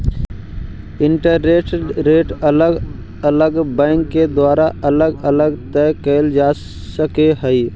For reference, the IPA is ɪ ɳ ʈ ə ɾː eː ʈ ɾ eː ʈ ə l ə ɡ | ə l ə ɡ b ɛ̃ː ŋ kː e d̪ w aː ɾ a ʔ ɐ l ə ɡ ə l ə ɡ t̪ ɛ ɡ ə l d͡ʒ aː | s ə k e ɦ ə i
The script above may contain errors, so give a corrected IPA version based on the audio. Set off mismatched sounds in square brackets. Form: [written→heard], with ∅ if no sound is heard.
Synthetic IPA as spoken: ɪ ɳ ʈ ə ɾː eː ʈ ɾ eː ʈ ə l ə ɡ | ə l ə ɡ b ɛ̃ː ŋ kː e d̪ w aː ɾ a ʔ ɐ l ə ɡ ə l ə ɡ t̪ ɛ [ɡ→k] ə l d͡ʒ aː | s ə k e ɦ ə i

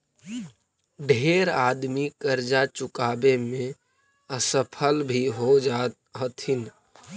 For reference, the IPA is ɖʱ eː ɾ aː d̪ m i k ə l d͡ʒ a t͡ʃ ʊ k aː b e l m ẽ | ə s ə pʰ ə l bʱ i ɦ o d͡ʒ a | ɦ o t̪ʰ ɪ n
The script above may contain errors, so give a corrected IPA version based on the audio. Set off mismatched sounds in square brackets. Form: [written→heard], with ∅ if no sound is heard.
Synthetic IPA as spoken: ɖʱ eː ɾ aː d̪ m i k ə [l→ɾ] d͡ʒ a t͡ʃ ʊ k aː b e [l→∅] m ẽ | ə s ə pʰ ə l bʱ i ɦ o d͡ʒ a | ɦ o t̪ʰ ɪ n

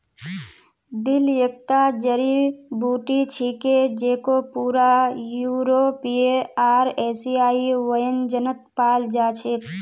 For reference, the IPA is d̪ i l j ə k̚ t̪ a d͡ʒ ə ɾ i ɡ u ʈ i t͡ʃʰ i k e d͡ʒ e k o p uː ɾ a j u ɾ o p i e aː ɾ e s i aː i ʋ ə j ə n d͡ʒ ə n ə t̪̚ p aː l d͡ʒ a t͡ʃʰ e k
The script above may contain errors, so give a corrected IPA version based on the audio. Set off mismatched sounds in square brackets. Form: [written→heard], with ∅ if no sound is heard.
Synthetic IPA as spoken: d̪ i l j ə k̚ t̪ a d͡ʒ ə ɾ i [ɡ→b] u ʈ i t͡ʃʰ i k e d͡ʒ e k o p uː ɾ a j u ɾ o p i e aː ɾ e s i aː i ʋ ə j ə n d͡ʒ ə n ə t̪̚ p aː l d͡ʒ a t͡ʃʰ e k

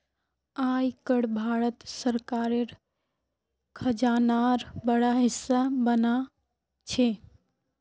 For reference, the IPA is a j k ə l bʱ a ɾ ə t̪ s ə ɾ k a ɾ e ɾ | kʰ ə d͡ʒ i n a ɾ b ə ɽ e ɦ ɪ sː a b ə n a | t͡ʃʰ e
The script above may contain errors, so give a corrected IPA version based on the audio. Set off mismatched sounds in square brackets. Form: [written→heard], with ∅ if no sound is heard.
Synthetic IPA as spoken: a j k ə [l→ɽ] bʱ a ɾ ə t̪ s ə ɾ k a ɾ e ɾ | kʰ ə d͡ʒ [i→a] n a ɾ b ə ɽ [e→a] ɦ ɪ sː a b ə n a | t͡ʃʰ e

